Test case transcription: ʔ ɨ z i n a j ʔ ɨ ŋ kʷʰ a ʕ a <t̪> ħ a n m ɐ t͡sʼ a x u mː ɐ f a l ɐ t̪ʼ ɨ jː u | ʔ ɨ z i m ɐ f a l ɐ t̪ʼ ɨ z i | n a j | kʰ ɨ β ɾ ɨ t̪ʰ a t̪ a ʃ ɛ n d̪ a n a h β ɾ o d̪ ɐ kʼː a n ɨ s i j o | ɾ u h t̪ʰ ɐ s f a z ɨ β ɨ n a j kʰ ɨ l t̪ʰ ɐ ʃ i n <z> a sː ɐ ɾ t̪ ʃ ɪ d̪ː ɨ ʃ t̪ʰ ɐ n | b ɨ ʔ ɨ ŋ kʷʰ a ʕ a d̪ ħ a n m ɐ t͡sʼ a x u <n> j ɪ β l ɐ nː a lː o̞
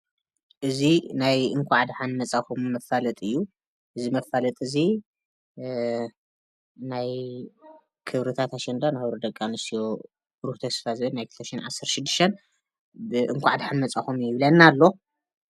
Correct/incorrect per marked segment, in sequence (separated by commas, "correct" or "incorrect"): incorrect, incorrect, incorrect